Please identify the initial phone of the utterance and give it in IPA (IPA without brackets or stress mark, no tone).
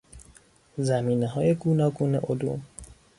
z